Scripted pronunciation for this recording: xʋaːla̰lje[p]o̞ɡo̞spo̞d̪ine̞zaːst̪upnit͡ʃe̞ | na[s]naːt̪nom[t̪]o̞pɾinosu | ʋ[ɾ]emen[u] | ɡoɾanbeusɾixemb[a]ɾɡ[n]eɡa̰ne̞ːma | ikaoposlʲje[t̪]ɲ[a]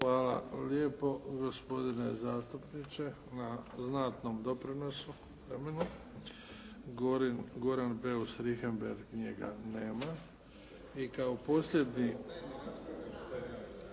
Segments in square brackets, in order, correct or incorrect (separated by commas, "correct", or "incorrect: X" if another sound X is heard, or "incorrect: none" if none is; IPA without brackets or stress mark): correct, incorrect: z, incorrect: d̪, correct, correct, incorrect: e, incorrect: ɲ, incorrect: d̪, incorrect: i